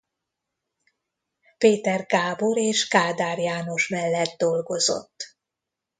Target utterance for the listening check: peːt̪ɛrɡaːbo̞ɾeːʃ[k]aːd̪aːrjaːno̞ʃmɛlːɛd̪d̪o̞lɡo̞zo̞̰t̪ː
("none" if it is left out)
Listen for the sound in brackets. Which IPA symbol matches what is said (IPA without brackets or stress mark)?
k